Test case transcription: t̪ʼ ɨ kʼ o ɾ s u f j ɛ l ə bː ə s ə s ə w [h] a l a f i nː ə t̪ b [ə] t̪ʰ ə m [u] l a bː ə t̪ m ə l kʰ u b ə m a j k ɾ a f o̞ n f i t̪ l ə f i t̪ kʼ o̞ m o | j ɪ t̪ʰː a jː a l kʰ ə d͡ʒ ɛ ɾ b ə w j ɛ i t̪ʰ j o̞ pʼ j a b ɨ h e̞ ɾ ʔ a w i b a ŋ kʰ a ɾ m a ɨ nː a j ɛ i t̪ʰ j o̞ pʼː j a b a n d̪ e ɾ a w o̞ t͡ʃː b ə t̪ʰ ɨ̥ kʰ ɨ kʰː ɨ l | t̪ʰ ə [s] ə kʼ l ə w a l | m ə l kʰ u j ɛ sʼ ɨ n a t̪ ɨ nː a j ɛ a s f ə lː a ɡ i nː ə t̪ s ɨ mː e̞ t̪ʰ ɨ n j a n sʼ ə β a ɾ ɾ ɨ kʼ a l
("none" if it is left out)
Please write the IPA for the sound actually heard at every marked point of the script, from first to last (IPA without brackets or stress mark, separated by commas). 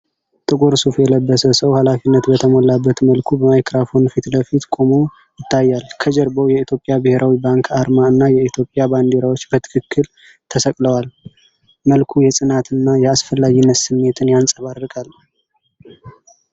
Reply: h, ə, o, s